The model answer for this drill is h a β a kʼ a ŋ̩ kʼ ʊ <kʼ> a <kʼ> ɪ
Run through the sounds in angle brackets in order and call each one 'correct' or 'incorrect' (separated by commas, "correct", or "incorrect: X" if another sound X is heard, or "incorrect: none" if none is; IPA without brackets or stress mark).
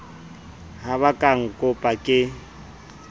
incorrect: pʼ, correct